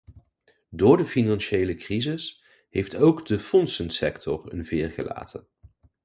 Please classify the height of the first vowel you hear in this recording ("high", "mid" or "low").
high